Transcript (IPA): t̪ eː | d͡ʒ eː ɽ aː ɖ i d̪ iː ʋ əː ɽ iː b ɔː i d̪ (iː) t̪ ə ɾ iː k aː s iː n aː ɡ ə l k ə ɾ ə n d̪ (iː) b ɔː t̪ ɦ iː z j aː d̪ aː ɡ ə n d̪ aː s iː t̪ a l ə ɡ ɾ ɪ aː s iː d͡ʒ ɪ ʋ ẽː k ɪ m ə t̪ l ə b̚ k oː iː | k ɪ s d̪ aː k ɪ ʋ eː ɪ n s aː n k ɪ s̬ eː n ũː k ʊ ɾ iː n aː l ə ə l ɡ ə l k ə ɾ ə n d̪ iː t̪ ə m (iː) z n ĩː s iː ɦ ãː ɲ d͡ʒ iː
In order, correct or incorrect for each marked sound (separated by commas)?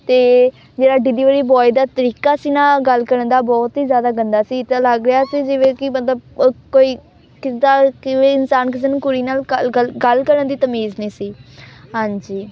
incorrect, incorrect, correct